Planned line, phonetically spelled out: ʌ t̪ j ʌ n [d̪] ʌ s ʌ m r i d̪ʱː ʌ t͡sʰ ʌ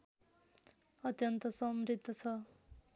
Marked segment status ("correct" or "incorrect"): incorrect